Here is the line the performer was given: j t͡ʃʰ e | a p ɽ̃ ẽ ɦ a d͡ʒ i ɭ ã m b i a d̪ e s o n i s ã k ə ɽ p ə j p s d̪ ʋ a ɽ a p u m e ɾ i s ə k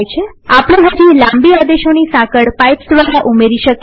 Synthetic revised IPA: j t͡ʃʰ e | a p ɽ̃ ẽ ɦ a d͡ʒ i l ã m b i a d̪ e ʃ o n i s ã k ə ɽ p a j p s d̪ ʋ a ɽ a ʔ u m e ɾ i ʃ ə k